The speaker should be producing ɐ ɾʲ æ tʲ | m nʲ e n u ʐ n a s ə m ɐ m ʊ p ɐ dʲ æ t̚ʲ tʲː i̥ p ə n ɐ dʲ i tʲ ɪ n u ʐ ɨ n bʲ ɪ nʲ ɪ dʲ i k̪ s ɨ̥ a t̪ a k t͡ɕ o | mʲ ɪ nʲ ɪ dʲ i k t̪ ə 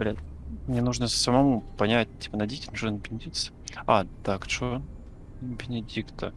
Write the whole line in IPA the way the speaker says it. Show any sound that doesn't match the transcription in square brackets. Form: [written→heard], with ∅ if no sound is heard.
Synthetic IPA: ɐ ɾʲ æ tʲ | m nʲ e n u ʐ n [a→ə] s ə m ɐ m [ʊ→u] p ɐ [dʲ→nʲ] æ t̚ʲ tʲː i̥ p ə n ɐ dʲ i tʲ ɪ n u ʐ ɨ n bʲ ɪ nʲ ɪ dʲ i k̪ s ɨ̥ a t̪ a k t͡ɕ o | [mʲ→bʲ] ɪ nʲ ɪ dʲ i k t̪ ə